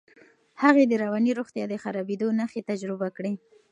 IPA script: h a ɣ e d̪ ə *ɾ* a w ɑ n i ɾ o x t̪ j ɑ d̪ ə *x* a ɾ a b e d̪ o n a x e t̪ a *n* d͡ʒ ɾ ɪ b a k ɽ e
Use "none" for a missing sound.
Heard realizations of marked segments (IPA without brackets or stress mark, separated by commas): ɾ, x, none